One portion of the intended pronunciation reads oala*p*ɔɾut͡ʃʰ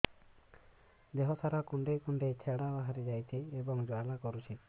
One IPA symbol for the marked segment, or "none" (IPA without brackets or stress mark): k